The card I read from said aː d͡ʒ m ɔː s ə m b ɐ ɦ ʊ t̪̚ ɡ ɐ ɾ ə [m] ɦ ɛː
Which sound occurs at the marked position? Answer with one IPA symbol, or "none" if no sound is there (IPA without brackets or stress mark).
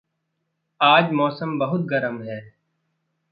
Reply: m